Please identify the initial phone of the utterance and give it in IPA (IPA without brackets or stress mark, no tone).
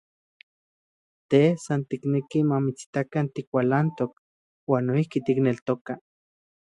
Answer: t̪